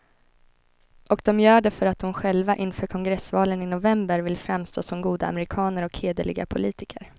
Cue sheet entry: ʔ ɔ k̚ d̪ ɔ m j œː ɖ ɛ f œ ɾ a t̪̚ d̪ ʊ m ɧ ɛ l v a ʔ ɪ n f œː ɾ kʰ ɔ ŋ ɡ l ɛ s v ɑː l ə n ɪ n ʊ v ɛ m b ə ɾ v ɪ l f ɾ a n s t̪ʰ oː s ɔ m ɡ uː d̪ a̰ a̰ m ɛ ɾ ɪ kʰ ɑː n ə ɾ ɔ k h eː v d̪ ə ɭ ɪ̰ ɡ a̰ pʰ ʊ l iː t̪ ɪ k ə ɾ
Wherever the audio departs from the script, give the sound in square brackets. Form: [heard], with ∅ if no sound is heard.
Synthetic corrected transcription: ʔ ɔ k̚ d̪ ɔ m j œː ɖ ɛ f œ ɾ a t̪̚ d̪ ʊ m ɧ ɛ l v a ʔ ɪ n f œː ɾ kʰ ɔ ŋ ɡ [ɾ] ɛ s v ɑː l ə n ɪ n ʊ v ɛ m b ə ɾ v ɪ l f ɾ a [m] s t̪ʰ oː s ɔ m ɡ uː d̪ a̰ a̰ m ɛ ɾ ɪ kʰ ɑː n ə ɾ ɔ k h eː [∅] d̪ ə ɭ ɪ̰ ɡ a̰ pʰ ʊ l iː t̪ ɪ k ə ɾ